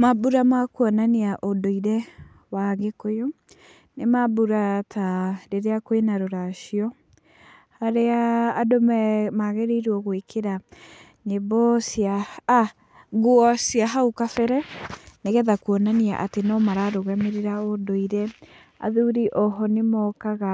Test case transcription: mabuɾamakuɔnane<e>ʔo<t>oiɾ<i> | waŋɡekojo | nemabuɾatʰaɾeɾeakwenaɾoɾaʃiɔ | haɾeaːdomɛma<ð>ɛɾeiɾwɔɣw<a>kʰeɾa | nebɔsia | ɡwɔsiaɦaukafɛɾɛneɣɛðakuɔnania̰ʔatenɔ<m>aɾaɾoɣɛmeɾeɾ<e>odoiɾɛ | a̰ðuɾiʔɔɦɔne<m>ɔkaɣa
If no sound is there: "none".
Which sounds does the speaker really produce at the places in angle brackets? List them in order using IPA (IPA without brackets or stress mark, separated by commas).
a, d, ɛ, ɣ, e, m, a, m